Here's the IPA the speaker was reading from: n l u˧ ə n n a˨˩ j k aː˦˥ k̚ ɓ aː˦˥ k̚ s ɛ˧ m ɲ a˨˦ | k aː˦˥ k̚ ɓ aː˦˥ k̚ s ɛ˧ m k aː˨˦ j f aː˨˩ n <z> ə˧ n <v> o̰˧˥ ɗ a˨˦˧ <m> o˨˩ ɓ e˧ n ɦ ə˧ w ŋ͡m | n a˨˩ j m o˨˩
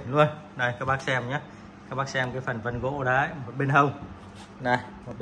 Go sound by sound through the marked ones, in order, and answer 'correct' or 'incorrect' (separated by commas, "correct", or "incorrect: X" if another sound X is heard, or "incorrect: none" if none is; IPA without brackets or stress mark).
incorrect: v, incorrect: ɣ, correct